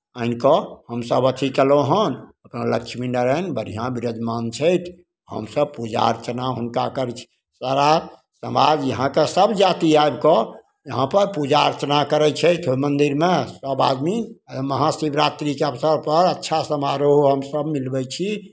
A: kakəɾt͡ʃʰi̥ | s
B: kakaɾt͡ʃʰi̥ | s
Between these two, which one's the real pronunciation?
A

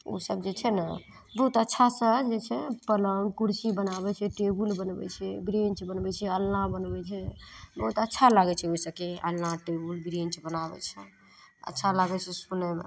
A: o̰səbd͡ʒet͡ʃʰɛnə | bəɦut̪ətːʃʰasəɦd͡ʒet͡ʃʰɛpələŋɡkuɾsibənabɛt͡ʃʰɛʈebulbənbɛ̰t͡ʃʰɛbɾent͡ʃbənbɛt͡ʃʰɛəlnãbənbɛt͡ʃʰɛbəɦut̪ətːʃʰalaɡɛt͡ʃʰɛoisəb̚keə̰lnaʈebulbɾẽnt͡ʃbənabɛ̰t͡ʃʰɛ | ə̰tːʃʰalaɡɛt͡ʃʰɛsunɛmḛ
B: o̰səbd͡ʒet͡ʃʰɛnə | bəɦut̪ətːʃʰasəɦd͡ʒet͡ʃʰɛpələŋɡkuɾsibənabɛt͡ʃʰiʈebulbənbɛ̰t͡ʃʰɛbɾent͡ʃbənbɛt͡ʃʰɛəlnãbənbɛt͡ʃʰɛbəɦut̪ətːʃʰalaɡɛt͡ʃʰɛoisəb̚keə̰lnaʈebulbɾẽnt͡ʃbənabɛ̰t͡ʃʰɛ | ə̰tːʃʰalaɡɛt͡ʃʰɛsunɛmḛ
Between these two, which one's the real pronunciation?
A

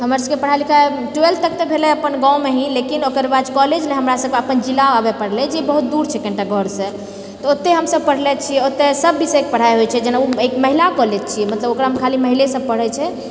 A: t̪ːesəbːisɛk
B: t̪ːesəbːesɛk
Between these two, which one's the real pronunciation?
A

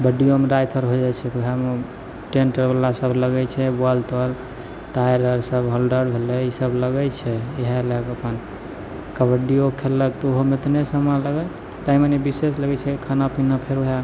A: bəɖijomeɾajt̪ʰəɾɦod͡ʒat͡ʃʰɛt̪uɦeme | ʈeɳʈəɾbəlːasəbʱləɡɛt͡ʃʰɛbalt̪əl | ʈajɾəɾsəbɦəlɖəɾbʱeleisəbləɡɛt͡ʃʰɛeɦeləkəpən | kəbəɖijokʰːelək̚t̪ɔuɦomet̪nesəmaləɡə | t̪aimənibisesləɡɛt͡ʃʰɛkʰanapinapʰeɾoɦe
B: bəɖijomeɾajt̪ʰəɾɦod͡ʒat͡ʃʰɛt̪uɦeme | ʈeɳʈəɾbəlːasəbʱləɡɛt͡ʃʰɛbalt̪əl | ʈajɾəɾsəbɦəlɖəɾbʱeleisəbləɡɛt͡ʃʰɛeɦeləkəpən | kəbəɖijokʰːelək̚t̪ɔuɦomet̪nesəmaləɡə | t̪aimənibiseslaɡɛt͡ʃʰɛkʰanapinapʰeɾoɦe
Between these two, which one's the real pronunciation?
A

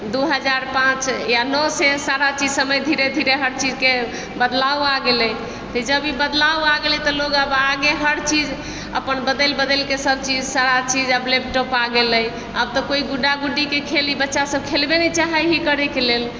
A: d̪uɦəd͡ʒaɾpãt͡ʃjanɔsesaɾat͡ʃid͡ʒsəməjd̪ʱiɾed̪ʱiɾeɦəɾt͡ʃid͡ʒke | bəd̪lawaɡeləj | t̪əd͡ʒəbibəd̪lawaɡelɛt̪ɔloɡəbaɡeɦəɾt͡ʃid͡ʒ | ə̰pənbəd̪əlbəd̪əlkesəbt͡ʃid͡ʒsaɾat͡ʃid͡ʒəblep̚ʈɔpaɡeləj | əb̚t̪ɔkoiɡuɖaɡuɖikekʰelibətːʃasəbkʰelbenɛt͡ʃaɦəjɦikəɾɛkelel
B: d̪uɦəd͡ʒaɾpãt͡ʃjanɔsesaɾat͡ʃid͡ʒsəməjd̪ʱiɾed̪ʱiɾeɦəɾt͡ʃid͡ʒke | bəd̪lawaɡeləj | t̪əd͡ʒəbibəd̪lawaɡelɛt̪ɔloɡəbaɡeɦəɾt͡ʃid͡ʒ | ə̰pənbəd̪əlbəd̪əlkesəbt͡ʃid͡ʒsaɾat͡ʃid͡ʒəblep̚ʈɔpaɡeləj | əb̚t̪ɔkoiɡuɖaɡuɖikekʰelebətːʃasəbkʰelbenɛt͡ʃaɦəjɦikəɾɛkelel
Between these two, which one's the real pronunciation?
A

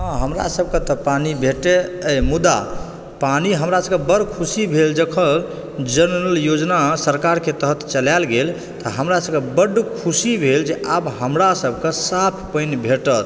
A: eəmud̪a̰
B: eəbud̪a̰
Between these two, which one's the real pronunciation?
A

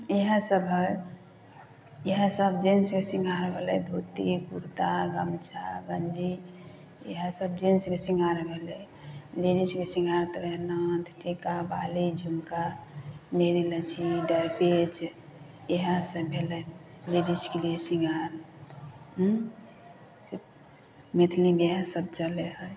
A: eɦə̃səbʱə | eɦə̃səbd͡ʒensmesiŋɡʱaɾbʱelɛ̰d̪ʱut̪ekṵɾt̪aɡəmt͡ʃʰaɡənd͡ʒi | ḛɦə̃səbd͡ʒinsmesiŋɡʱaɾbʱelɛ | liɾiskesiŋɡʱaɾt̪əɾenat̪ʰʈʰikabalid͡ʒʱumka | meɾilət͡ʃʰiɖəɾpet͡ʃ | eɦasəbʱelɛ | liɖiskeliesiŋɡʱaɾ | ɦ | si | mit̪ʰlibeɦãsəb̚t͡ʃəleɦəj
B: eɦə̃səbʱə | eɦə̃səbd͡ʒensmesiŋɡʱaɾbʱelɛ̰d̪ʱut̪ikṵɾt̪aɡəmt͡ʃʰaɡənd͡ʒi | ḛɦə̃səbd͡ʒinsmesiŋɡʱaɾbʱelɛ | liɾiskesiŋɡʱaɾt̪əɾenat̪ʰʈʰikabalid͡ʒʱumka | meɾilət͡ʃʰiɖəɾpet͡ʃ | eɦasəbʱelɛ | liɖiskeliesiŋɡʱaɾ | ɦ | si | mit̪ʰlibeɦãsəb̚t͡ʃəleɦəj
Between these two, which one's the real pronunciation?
B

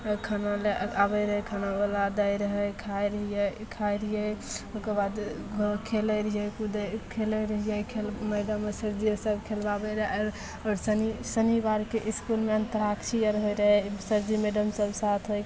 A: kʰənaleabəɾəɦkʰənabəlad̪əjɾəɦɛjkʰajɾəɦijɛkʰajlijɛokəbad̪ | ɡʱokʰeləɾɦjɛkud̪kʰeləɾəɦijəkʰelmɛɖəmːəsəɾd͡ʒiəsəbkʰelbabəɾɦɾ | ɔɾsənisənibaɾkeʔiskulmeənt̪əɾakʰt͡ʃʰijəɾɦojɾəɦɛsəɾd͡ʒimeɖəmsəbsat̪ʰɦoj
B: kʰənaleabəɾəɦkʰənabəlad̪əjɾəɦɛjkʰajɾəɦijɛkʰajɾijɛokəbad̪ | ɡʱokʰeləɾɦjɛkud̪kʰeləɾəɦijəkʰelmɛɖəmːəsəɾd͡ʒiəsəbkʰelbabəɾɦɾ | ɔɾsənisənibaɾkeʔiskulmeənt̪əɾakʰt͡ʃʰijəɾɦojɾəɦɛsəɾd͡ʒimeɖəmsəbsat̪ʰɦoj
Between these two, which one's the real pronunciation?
B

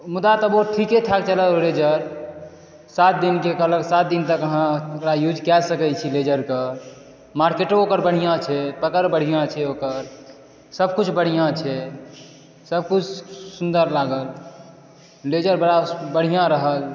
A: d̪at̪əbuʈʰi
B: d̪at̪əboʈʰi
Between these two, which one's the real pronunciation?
B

